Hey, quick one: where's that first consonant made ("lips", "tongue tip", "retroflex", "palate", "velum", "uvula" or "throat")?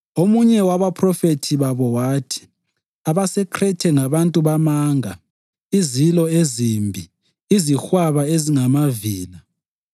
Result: lips